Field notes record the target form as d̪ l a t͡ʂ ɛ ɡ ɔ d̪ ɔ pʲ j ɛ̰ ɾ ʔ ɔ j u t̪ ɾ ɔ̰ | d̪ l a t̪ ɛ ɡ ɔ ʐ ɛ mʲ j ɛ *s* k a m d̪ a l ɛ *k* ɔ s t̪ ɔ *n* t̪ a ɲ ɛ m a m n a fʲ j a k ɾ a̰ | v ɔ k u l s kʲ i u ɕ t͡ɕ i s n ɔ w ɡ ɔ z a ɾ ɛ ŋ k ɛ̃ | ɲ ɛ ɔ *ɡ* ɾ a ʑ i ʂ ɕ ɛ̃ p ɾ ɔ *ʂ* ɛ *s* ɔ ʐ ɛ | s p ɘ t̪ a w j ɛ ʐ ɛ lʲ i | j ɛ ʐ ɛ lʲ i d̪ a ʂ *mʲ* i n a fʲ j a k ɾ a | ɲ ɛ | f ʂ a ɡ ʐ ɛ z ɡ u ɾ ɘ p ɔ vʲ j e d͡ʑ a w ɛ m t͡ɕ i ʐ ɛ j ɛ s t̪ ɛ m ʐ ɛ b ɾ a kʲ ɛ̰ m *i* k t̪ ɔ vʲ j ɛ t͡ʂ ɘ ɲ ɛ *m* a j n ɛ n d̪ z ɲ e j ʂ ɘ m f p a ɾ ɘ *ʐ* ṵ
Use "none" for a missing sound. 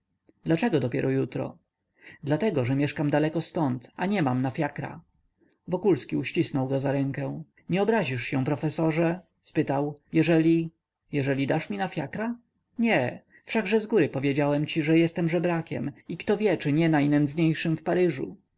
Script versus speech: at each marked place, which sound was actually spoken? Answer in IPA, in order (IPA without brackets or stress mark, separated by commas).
ʂ, k, n, b, f, s, mʲ, i, n, ʐ